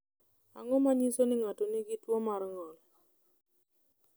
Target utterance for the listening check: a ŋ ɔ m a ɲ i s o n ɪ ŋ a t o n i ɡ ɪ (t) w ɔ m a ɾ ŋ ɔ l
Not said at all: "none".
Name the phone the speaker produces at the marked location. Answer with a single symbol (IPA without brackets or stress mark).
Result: t